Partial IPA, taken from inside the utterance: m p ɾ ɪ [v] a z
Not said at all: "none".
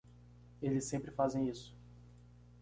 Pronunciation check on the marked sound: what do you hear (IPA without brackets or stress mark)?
f